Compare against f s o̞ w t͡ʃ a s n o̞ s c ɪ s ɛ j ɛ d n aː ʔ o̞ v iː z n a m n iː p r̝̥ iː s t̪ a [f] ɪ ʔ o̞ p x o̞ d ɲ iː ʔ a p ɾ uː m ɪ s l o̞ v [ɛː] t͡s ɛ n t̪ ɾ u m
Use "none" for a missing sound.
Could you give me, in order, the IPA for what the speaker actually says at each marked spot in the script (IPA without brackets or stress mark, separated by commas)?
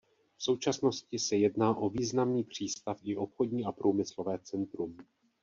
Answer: f, ɛː